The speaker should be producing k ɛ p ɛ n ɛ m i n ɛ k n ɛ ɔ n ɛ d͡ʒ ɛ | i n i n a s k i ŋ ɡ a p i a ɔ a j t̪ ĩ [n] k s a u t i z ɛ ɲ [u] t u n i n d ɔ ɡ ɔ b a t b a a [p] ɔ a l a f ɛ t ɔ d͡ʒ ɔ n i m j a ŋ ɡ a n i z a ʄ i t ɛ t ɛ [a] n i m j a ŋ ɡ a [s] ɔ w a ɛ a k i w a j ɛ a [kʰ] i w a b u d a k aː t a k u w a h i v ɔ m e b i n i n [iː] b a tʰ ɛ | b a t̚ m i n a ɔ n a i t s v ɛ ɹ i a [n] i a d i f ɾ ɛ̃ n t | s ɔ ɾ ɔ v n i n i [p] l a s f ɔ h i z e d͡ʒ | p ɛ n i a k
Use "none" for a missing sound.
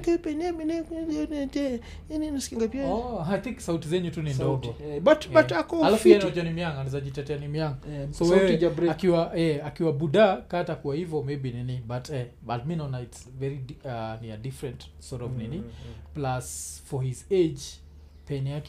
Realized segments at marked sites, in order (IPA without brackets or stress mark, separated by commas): ŋ, u, k, a, s, k, i, n, p